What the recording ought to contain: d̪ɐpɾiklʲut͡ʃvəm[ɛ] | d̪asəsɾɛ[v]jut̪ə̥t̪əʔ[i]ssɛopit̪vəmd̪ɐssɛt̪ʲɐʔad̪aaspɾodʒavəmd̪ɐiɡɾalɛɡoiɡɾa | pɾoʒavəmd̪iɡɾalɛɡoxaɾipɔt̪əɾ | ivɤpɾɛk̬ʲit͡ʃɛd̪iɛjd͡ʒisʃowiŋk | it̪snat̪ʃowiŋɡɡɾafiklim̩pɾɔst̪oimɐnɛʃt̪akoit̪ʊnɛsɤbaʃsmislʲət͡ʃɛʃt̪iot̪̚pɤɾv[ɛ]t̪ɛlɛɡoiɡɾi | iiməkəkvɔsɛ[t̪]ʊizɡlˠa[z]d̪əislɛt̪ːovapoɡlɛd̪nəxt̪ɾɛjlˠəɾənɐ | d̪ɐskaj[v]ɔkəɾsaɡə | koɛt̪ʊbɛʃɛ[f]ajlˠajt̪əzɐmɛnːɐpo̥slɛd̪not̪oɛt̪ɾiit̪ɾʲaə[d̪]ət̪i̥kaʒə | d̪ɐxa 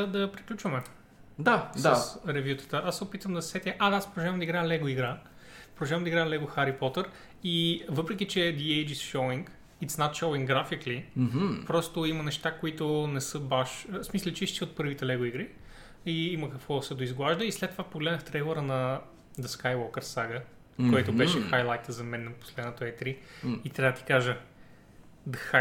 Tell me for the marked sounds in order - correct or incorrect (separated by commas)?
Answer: correct, correct, incorrect, incorrect, incorrect, incorrect, incorrect, incorrect, correct